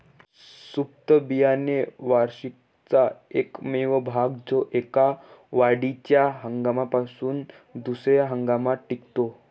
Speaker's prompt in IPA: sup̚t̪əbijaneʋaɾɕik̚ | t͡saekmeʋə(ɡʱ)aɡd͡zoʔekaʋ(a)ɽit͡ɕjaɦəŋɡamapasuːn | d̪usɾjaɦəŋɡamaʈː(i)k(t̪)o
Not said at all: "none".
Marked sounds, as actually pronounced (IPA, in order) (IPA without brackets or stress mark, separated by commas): bʱ, a, i, t̪